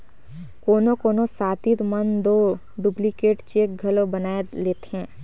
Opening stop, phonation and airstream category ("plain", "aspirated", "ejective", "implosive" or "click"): plain